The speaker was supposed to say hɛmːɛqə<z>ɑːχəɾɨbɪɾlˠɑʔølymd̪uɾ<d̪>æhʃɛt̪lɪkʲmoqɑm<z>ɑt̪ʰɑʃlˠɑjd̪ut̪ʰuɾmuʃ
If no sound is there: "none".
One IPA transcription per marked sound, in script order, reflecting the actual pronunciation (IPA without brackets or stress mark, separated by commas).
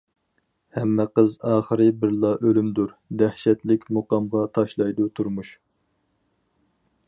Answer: z, d̪, ʁ